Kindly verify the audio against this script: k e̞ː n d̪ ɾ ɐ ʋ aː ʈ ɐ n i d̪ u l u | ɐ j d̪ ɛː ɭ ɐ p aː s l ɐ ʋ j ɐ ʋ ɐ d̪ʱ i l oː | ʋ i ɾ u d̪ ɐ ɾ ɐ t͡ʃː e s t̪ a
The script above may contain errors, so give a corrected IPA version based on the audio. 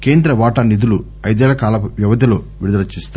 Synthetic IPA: k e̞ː n d̪ ɾ ɐ ʋ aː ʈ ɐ n i d̪ u l u | ɐ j d̪ ɛː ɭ ɐ k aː l ɐ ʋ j ɐ ʋ ɐ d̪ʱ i l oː | ʋ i ɾ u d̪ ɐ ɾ ɐ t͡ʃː i s t̪ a